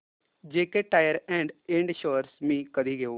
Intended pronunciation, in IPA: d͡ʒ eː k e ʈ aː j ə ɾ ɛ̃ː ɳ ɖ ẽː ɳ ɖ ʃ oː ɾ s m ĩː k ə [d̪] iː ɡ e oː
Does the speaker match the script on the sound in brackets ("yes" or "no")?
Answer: yes